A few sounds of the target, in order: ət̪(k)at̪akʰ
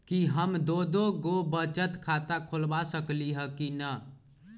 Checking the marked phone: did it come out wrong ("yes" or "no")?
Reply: yes